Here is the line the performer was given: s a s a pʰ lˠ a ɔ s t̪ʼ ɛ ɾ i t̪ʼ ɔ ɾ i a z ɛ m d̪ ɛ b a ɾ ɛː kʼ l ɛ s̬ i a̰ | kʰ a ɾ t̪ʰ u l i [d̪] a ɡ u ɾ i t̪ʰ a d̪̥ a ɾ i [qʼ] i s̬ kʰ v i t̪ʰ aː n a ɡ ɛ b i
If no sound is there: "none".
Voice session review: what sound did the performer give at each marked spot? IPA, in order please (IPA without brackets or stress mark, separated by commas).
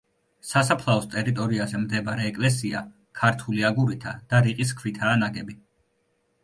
none, qʼ